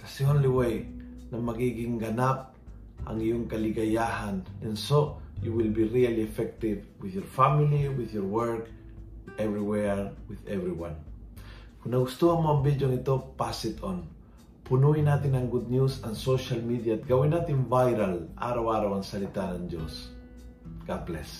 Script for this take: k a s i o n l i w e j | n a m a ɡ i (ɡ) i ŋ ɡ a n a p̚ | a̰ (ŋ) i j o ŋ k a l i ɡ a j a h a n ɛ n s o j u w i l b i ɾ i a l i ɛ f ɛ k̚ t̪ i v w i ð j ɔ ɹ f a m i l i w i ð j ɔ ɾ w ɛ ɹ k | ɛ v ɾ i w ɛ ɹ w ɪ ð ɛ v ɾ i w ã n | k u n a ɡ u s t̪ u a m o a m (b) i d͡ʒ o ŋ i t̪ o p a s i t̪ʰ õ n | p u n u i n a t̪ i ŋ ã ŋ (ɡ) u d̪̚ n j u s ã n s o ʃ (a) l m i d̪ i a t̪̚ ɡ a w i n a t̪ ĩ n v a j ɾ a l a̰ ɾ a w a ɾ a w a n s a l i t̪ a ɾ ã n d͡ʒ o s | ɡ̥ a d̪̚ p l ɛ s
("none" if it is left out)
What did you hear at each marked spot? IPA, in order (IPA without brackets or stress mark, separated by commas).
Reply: ɡ, ŋ, b, ɡ, a